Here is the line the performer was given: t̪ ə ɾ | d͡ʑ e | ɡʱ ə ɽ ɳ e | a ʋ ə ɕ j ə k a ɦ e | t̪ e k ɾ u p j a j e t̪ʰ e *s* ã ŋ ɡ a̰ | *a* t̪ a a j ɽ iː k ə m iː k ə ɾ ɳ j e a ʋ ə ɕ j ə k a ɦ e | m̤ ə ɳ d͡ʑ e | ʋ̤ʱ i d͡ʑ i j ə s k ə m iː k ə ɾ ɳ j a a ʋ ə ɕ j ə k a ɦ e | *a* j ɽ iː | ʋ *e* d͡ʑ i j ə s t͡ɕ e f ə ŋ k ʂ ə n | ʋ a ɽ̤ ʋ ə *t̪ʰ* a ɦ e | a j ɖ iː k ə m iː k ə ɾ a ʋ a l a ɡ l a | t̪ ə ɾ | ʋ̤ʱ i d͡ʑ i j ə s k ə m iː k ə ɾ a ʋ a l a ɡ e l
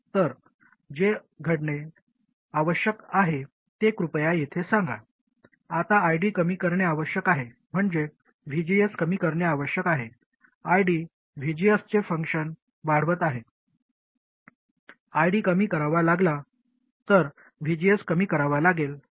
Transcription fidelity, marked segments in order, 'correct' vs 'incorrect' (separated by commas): correct, correct, correct, incorrect, incorrect